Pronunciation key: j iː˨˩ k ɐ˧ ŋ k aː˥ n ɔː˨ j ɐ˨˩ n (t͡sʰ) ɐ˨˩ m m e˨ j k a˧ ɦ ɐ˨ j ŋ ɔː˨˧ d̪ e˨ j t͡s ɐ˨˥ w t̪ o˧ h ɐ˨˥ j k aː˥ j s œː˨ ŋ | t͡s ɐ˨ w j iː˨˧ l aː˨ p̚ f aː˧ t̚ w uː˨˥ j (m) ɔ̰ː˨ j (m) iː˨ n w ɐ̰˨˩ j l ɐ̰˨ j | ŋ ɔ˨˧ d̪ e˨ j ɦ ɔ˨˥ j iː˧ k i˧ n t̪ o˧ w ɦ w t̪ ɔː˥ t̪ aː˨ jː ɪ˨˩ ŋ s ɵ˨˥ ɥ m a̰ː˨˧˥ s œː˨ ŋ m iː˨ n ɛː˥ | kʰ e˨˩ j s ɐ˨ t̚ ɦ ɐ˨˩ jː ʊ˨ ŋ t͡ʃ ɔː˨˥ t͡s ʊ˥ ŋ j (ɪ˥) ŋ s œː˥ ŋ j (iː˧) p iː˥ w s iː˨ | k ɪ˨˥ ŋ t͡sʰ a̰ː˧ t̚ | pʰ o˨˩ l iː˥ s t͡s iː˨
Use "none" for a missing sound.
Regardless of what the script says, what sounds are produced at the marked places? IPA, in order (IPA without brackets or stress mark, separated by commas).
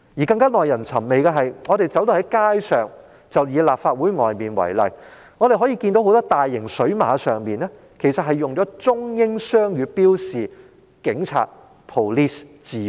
t͡sʰ, ŋ, m, ɪ˥, yː˧